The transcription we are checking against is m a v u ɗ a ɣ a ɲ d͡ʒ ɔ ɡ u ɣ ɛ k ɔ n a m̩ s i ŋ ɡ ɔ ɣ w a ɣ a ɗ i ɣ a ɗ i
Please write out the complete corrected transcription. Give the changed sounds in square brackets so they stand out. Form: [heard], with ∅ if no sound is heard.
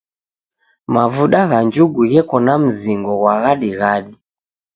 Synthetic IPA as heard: m a v u ɗ a ɣ a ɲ d͡ʒ [u] ɡ u ɣ ɛ k ɔ n a m̩ [z] i ŋ ɡ ɔ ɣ w a ɣ a ɗ i ɣ a ɗ i